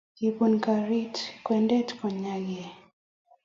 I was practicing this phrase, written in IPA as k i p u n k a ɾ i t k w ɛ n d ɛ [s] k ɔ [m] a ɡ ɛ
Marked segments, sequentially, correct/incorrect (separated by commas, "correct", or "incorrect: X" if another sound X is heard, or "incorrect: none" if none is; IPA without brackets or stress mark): incorrect: t, incorrect: ɲ